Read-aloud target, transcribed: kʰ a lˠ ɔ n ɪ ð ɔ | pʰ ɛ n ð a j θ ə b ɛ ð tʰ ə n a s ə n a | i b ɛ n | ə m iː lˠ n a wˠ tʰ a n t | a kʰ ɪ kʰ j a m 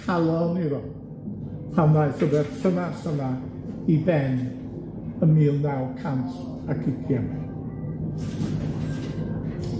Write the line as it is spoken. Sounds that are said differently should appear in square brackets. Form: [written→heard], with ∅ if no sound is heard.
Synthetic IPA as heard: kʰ a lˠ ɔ n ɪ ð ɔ | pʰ [ɛ→a] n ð a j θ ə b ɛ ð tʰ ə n a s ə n a | i b ɛ n | ə m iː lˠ n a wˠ [tʰ→kʰ] a n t | a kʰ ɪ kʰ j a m